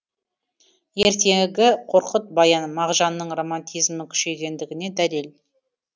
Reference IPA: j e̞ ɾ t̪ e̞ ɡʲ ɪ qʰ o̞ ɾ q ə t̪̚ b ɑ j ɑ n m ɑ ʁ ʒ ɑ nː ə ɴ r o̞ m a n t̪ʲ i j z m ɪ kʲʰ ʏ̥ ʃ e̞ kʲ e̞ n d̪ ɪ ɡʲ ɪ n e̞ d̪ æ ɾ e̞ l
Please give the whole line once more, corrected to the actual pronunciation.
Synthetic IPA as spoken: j e̞ ɾ t̪ e̞ ɡʲ ɪ qʰ o̞ ɾ q ə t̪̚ b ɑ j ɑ n m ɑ ʁ ʒ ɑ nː ə ɴ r o̞ m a n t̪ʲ i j z m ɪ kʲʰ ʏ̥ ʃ e̞ ɡʲ e̞ n d̪ ɪ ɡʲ ɪ n e̞ d̪ æ l e̞ l